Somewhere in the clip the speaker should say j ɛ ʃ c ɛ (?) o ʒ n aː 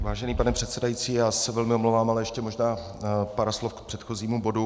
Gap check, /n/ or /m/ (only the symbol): m